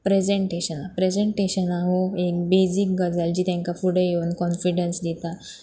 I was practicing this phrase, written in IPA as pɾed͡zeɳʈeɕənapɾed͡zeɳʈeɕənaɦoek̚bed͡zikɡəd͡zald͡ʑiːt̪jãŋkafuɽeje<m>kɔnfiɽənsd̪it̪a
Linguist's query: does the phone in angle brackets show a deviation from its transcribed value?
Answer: yes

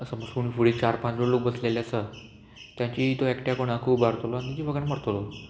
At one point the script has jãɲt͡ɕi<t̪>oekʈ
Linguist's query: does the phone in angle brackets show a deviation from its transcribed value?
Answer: no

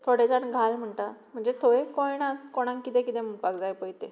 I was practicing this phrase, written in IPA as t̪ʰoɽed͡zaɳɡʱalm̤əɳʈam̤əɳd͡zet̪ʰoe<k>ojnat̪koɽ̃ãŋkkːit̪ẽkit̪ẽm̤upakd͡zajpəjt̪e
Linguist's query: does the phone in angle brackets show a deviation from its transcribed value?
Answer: no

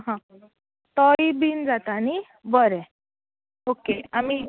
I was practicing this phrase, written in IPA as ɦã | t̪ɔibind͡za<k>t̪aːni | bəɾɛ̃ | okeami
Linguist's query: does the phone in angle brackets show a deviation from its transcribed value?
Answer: yes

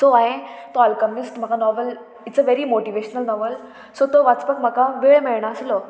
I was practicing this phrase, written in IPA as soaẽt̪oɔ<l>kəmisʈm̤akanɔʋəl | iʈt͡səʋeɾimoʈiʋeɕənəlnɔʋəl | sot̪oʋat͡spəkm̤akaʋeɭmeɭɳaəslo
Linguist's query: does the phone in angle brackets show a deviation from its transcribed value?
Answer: no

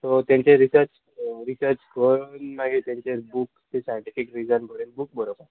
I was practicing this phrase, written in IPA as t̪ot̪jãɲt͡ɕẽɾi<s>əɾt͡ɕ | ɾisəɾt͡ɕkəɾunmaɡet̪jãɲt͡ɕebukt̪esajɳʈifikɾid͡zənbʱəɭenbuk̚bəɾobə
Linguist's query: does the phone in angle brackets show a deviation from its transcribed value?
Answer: no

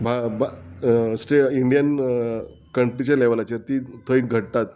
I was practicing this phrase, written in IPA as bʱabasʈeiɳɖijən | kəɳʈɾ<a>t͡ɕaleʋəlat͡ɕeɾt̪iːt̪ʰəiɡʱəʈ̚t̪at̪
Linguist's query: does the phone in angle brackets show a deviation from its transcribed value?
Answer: yes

